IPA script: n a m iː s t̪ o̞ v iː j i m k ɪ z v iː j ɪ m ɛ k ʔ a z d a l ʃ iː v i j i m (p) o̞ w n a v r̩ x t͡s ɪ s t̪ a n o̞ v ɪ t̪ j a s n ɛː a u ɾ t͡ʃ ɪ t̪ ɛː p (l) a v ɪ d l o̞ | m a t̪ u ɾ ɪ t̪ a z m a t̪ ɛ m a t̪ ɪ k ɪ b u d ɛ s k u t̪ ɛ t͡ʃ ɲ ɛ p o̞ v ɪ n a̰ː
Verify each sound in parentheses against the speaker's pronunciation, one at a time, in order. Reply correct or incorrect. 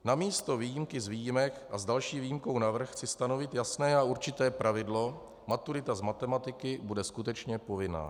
incorrect: k, incorrect: ɾ

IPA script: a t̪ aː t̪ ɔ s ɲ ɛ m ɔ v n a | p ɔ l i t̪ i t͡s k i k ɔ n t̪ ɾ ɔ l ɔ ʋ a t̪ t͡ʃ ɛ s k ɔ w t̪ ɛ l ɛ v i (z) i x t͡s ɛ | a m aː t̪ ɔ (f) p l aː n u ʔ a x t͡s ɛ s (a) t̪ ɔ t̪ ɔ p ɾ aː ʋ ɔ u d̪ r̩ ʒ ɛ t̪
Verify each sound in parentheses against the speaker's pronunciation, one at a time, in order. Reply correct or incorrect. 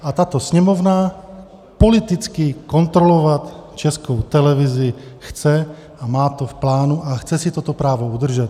correct, correct, incorrect: i

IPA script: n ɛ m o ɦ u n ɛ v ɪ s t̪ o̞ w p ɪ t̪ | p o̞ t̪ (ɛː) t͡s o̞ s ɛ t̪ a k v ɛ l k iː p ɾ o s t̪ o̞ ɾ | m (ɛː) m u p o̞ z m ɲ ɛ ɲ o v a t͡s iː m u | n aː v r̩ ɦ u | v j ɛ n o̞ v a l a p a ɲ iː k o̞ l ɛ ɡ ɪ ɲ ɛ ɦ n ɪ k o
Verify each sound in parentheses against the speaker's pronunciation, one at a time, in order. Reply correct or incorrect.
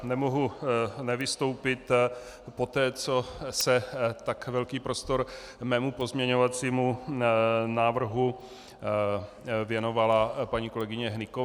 correct, correct

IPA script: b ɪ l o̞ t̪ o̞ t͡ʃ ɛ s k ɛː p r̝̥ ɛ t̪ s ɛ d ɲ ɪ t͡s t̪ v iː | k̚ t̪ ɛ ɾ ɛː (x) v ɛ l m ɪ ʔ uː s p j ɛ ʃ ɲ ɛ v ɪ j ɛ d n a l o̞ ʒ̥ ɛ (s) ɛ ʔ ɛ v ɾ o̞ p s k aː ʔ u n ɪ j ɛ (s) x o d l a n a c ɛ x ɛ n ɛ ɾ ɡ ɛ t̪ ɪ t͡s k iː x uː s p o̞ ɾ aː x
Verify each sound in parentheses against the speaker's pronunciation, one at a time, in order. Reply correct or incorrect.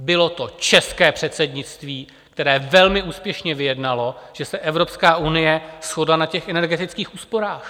incorrect: none, correct, correct

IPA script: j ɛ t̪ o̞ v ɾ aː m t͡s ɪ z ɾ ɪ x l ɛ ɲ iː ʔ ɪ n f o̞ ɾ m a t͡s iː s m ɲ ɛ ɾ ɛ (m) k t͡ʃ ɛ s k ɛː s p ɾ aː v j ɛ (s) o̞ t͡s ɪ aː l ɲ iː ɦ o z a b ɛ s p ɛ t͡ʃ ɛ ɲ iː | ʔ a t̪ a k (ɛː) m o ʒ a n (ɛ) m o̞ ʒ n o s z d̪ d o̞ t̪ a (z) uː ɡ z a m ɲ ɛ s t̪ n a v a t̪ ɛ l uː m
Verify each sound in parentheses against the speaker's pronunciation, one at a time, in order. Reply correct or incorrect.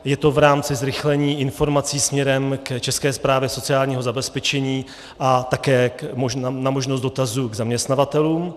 correct, correct, correct, incorrect: a, correct

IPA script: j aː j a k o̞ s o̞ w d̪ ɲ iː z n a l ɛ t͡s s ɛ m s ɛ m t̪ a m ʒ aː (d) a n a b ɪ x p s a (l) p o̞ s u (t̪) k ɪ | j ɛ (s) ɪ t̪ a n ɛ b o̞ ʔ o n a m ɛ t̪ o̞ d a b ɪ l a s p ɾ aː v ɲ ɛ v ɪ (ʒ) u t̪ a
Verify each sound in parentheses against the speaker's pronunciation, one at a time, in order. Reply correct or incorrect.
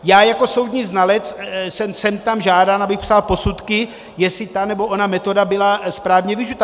correct, correct, correct, correct, correct

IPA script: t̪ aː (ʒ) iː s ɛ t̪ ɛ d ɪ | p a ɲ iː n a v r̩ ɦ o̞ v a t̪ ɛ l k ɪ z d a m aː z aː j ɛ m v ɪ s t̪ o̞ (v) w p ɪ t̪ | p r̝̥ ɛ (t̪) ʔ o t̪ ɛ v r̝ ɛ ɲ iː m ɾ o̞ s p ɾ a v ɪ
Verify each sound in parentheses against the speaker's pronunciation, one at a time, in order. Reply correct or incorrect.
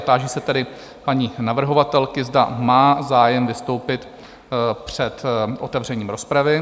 correct, incorrect: none, correct

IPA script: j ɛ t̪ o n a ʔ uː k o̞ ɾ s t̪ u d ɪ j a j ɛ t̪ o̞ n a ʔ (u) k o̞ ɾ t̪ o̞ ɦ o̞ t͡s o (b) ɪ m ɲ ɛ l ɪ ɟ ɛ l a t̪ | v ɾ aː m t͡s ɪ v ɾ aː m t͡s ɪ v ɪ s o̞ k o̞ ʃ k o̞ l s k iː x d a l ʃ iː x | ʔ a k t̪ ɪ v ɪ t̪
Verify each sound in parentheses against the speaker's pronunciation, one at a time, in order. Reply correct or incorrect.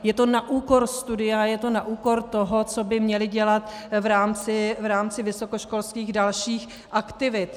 incorrect: uː, correct

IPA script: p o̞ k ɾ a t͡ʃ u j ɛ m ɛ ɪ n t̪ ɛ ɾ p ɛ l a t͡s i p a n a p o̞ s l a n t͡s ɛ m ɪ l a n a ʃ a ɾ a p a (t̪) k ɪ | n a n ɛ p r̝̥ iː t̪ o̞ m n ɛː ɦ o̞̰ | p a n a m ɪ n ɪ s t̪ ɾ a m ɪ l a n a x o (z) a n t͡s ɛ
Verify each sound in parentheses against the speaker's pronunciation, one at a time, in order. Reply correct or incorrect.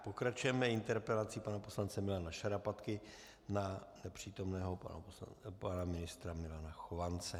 correct, incorrect: v

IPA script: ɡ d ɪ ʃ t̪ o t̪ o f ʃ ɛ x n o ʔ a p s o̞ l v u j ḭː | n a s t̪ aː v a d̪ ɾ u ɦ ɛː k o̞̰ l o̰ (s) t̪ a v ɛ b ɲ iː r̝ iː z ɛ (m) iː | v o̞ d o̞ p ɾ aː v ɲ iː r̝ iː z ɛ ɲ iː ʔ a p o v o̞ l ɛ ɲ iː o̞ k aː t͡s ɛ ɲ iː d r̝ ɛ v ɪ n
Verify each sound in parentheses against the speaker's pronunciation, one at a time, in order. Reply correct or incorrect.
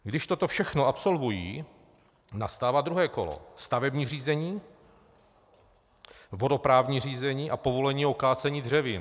correct, incorrect: ɲ

